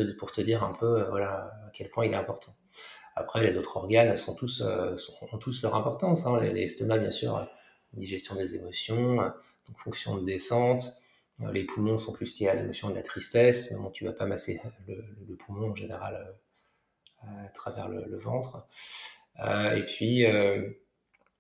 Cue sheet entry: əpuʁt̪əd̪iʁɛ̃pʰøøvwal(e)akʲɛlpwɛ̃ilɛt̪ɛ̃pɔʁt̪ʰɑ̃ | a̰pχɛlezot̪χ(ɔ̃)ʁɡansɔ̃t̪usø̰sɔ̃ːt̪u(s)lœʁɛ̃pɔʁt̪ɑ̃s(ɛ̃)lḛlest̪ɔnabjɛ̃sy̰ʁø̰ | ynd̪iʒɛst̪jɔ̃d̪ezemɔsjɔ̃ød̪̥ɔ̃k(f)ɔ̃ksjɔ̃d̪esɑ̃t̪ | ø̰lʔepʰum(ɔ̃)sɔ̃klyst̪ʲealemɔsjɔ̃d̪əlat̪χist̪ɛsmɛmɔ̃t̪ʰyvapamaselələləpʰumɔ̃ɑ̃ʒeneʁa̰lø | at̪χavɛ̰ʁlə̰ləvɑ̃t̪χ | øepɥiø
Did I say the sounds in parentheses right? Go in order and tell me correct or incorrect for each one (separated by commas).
incorrect, incorrect, correct, correct, correct, correct